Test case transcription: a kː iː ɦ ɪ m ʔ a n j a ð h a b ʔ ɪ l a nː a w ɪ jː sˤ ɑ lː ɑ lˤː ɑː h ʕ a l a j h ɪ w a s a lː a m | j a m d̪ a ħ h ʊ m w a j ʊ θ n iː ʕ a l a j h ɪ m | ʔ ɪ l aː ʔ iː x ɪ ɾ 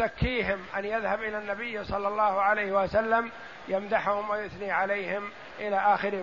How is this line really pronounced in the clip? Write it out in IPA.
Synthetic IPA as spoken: a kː iː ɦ ɪ m ʔ a n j a ð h a b ʔ ɪ l a nː a b ɪ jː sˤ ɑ lː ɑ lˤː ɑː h ʕ a l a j h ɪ w a s a lː a m | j a m d̪ a ħ h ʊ m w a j ʊ θ n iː ʕ a l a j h ɪ m | ʔ ɪ l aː ʔ aː x ɪ ɾ